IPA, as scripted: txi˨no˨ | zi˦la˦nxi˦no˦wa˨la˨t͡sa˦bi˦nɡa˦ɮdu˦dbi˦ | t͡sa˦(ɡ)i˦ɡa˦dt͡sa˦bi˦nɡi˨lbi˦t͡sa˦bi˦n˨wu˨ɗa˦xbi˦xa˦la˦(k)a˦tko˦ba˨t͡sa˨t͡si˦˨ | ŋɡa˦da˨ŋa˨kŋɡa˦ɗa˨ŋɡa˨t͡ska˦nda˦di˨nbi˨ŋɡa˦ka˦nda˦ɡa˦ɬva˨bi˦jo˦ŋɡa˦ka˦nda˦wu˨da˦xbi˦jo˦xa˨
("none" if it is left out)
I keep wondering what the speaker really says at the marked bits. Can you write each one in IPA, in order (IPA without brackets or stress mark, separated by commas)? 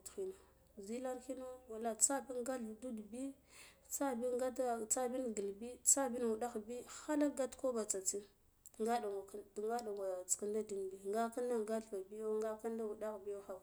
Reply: b, ɡ